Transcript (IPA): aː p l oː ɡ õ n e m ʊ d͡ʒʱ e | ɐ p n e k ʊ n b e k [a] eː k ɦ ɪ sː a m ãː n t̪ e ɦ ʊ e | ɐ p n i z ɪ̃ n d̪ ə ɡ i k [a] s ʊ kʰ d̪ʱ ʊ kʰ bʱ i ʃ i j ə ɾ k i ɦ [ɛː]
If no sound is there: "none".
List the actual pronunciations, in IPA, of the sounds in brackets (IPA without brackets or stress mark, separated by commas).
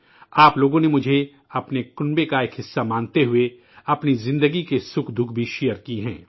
a, e, ɛ̃ː